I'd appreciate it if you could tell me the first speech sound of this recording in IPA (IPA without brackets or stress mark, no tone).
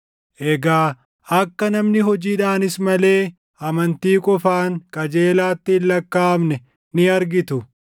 ʔ